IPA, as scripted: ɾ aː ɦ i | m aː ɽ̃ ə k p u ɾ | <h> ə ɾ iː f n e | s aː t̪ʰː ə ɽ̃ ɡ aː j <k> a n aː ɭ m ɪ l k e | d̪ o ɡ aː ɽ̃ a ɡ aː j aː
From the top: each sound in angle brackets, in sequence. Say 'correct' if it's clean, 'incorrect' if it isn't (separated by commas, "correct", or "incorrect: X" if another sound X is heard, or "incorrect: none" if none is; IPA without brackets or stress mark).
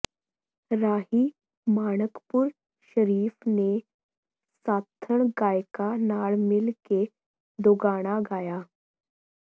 incorrect: ʃ, correct